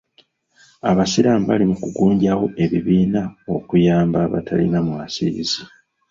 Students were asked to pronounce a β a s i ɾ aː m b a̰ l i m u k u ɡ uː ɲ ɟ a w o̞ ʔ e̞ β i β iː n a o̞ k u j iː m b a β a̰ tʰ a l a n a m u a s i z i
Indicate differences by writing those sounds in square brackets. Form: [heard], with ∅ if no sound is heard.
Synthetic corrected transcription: a β a s i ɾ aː m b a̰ l i m u k u ɡ uː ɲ ɟ a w o̞ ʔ e̞ β i β iː n a o̞ k u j [aː] m b a β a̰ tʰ a l [i] n a m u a s i z i